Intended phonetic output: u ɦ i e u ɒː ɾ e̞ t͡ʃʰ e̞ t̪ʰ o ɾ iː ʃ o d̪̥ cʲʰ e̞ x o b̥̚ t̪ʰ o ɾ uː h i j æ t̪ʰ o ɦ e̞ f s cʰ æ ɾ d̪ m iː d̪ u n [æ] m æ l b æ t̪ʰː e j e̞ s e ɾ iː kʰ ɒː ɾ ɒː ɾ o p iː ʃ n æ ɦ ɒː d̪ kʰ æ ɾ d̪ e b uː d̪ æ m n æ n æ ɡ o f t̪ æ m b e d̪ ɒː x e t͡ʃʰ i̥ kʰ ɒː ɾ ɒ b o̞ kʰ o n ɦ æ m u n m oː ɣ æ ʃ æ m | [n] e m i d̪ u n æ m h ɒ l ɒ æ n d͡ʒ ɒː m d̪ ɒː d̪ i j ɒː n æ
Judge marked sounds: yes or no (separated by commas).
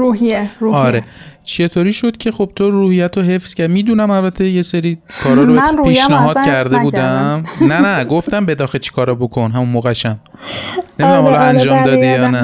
yes, yes